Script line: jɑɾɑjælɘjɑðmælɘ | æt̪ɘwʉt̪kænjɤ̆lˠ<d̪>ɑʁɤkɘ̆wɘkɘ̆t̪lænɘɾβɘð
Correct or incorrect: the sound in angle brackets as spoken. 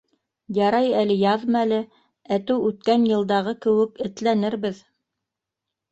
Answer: correct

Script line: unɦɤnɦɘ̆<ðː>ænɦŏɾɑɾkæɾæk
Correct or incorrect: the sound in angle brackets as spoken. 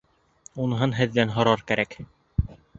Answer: correct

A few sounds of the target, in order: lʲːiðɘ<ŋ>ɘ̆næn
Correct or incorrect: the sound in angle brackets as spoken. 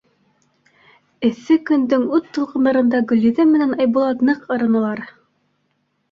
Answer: incorrect: m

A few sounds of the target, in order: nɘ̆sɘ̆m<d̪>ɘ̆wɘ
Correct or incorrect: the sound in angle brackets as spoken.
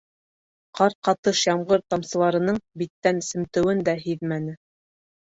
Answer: incorrect: t̪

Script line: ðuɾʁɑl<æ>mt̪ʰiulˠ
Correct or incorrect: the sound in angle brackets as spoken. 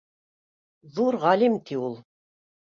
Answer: incorrect: i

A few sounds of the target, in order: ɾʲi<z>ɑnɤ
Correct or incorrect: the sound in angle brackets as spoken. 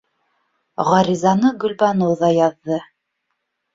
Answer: correct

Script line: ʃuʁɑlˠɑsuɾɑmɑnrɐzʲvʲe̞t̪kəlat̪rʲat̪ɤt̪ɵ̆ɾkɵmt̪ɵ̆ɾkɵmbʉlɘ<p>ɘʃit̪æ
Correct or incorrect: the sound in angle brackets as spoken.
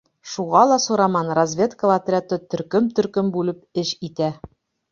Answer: correct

